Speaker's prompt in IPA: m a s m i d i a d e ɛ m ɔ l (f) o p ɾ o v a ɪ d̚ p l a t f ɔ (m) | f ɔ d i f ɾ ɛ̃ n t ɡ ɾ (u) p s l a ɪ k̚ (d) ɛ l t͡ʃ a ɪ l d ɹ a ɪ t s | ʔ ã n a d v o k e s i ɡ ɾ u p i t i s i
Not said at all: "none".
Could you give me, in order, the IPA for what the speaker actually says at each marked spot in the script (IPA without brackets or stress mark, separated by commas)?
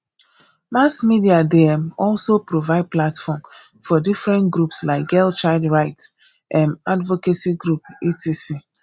s, m, u, ɡ